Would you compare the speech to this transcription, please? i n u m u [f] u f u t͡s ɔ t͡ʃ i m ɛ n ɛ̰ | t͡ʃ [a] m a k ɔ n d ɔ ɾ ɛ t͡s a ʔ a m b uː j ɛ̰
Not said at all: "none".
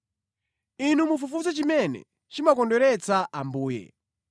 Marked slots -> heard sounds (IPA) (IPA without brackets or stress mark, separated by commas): f, i